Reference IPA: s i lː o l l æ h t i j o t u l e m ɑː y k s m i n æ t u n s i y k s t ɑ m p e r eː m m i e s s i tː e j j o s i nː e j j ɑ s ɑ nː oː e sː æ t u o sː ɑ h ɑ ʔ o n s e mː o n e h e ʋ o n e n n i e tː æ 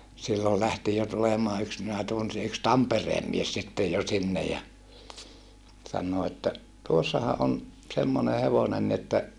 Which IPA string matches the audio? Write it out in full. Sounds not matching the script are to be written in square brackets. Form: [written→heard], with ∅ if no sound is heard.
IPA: s i lː o l l æ h t i j o t u l e m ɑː y k s m i n æ t u n s i y k s t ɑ m p e r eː m m i e s s i tː e j j o s i nː e j j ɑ s ɑ nː oː e [sː→tː] æ t u o sː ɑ h ɑ ʔ o n s e mː o n e h e ʋ o n e n n i e tː æ